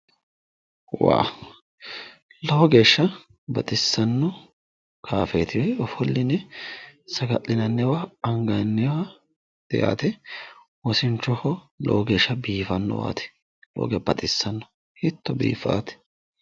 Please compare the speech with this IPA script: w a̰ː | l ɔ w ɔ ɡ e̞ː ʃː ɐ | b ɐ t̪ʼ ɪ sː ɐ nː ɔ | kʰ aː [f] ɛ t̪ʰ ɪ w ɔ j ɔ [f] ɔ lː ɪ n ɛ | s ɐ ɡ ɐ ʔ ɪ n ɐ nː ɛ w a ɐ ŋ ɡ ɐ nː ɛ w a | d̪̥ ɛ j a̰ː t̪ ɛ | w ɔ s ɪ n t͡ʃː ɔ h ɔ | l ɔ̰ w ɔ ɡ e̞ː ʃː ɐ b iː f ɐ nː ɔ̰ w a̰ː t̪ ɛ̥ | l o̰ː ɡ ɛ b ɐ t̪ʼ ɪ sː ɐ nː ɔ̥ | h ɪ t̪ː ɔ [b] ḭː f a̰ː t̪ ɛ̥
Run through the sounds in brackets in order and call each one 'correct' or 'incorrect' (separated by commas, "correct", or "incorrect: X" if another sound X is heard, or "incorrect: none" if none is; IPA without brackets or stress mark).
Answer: correct, correct, correct